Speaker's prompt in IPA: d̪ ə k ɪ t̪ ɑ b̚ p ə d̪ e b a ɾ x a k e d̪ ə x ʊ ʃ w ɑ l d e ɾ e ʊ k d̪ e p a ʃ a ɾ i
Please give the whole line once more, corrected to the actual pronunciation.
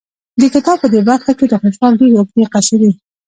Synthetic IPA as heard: d̪ ə k ɪ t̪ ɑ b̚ p ə d̪ e b a ɾ x a k e d̪ ə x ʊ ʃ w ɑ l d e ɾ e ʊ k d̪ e q a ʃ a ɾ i